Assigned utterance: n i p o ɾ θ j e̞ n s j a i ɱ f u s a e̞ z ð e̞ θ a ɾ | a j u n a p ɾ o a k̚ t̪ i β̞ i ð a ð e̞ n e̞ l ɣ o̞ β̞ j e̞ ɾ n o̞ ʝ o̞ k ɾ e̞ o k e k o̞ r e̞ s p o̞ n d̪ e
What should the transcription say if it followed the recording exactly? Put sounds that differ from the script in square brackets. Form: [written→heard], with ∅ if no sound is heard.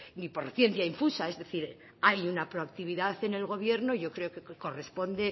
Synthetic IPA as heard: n i p o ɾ θ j e̞ n [s→θ] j a i ɱ f u s a e̞ z ð e̞ θ [a→i] ɾ | a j u n a p ɾ o a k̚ t̪ i β̞ i ð a [ð→θ] e̞ n e̞ l ɣ o̞ β̞ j e̞ ɾ n o̞ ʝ o̞ k ɾ e̞ o k e k o̞ r e̞ s p o̞ n d̪ e